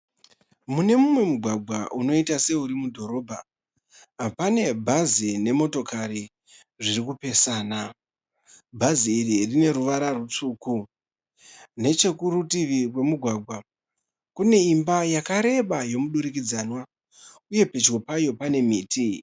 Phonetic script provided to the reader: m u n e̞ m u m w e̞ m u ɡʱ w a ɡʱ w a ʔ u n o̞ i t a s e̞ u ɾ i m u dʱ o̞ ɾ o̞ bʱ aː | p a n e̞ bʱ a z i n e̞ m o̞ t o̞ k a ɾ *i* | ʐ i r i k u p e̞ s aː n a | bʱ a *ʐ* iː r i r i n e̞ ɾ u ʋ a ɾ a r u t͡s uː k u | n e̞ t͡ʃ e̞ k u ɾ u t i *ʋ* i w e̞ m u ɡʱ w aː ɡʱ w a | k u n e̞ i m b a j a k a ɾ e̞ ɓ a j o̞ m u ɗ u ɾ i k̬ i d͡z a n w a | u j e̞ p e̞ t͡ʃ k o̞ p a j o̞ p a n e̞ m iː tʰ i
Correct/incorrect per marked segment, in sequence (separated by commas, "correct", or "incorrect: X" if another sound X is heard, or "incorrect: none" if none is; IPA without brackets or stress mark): correct, incorrect: z, correct